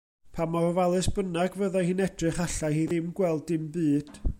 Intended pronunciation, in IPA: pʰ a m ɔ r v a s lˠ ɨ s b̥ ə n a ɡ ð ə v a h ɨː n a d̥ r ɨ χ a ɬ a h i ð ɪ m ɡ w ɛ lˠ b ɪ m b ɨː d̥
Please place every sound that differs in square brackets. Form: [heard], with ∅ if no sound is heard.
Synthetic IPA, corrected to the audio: pʰ a m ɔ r v a [∅] lˠ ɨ s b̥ ə n a ɡ [v] ə [ð] a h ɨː n [ɛ] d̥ r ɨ χ a ɬ a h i ð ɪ m ɡ w ɛ lˠ [d] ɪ m b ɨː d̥